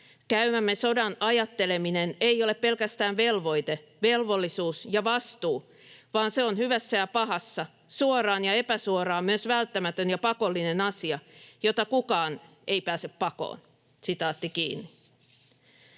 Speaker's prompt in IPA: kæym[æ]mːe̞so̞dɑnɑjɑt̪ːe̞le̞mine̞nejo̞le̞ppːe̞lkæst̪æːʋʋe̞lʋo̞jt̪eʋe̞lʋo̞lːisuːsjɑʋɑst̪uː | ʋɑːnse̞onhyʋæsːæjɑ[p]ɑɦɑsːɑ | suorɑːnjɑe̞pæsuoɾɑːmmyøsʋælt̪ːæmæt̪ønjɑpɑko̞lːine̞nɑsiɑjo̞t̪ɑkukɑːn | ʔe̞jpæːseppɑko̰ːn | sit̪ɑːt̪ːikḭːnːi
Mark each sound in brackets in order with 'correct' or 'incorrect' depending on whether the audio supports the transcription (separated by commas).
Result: correct, correct